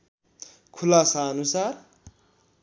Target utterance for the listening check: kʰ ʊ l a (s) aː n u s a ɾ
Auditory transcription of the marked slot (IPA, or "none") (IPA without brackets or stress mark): s